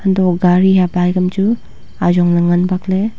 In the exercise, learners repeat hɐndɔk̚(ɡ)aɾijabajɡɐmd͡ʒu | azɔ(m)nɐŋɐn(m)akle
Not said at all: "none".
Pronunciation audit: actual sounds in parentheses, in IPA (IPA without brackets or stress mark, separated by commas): ɡ, ŋ, b